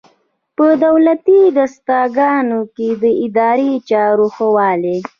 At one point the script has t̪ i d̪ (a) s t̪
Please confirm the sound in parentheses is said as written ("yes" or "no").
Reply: yes